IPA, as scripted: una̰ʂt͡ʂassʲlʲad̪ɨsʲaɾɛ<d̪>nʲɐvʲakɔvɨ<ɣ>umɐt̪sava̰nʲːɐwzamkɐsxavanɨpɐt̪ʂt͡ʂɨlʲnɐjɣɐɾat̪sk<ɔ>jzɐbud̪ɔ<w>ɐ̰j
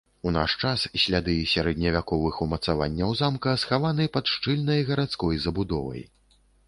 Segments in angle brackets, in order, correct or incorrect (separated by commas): correct, incorrect, correct, incorrect